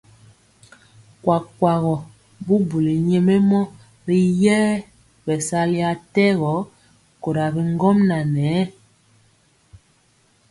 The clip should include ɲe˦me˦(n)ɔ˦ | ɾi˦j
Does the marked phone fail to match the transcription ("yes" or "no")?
yes